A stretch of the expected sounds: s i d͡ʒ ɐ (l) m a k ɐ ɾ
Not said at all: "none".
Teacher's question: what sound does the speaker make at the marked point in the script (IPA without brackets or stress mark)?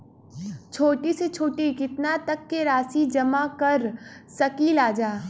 none